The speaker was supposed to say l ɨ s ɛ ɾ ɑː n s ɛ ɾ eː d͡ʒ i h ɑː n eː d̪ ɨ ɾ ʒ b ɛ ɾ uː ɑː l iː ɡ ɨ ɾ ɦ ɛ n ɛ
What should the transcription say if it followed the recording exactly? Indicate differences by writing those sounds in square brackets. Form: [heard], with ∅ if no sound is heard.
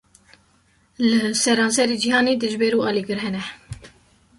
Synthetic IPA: l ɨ s ɛ ɾ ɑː n s ɛ ɾ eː d͡ʒ i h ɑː n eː d̪ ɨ [∅] ʒ b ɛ ɾ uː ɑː l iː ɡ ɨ ɾ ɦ ɛ n ɛ